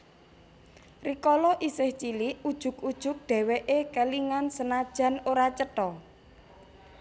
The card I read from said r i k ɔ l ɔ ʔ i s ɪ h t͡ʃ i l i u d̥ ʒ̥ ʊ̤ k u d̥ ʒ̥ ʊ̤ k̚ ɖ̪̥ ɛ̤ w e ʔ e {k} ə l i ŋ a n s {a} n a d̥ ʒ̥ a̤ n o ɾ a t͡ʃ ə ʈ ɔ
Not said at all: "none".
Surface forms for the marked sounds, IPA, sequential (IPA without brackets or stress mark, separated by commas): k, ə